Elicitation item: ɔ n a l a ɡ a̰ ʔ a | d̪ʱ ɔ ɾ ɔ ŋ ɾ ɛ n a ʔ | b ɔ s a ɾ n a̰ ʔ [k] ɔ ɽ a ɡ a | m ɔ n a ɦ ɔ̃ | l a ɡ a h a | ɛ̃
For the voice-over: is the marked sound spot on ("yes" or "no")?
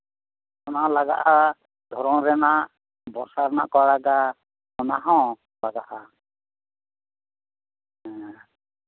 yes